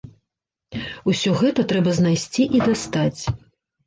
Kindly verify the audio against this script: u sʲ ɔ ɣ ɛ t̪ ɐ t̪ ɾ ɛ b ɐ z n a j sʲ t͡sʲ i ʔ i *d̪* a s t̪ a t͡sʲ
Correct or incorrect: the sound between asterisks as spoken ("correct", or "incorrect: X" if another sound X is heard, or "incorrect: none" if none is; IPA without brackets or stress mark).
correct